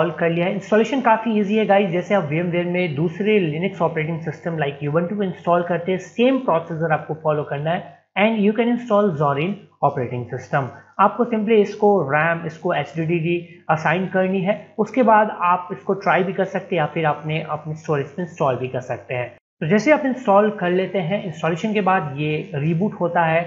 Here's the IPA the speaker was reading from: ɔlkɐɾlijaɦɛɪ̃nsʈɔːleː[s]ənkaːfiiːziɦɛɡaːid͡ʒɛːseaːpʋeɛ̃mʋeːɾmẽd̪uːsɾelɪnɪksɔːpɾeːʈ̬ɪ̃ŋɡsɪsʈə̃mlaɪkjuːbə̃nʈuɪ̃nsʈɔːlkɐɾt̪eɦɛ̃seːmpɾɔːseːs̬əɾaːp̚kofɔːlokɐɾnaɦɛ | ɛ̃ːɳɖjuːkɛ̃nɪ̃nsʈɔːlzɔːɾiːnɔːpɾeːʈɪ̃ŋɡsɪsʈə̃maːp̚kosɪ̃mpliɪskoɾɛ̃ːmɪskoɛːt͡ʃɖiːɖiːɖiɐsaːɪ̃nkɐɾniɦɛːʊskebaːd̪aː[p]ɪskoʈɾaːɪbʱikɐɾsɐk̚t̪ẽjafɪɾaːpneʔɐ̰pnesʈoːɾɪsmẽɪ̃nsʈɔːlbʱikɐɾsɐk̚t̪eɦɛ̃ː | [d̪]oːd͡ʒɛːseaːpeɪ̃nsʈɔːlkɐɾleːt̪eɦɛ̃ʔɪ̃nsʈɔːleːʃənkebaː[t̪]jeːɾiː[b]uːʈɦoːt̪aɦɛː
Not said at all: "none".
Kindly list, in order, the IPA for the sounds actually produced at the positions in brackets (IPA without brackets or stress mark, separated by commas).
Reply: ʃ, p, t̪, d̪, b